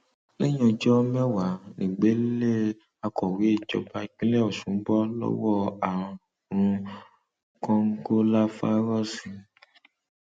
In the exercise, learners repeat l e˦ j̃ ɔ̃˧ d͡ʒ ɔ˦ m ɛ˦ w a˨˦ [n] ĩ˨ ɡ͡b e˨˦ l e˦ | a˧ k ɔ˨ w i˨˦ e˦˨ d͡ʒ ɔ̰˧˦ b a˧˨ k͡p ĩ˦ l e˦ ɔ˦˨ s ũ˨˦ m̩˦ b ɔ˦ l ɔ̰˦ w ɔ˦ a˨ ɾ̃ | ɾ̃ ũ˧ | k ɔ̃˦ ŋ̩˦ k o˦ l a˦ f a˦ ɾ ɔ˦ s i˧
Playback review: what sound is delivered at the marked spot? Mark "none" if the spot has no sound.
n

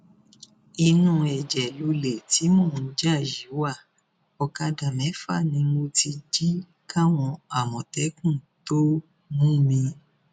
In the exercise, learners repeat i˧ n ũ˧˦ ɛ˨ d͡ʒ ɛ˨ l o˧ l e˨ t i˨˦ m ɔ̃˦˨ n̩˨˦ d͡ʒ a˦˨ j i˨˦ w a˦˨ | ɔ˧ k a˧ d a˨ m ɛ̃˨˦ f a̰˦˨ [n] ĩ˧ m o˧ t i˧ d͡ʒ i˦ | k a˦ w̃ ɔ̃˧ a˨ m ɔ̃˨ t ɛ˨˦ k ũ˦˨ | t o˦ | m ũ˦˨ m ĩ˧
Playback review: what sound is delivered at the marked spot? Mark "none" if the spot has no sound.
n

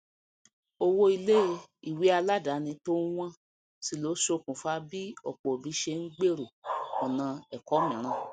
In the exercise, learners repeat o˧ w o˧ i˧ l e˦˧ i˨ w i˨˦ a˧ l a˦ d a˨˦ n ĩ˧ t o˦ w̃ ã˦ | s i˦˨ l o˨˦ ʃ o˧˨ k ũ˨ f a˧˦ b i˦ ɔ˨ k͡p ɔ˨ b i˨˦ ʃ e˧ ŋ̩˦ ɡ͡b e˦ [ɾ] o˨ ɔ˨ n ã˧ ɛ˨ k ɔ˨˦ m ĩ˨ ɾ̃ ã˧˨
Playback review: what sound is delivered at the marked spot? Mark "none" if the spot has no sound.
ɾ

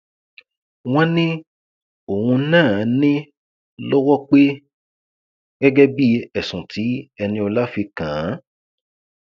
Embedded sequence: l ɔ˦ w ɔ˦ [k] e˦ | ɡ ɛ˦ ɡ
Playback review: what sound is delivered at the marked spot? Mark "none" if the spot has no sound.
k͡p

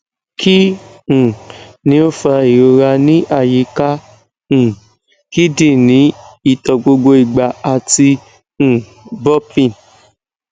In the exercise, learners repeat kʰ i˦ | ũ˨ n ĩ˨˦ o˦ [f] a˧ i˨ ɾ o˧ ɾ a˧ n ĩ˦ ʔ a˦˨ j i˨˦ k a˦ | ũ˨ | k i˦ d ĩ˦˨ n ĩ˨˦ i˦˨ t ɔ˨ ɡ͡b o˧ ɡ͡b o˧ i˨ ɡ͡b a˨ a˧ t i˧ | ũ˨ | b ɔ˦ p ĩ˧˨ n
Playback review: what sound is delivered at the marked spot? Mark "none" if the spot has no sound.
f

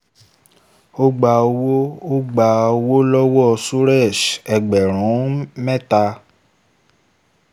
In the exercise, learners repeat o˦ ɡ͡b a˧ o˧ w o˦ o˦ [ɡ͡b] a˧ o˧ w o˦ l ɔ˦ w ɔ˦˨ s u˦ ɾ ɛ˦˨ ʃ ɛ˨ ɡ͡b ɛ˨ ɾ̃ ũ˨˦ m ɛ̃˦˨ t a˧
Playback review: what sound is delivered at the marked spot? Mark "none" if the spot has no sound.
ɡ͡b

